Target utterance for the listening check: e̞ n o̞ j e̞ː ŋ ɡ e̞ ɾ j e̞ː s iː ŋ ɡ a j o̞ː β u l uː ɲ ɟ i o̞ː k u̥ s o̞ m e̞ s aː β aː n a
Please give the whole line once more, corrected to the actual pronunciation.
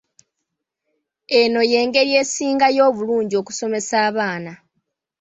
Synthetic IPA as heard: e̞ n o̞ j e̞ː ŋ ɡ e̞ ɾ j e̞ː s iː ŋ ɡ a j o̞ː β u l uː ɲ ɟ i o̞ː k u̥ s o̞ m e̞ s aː β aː n a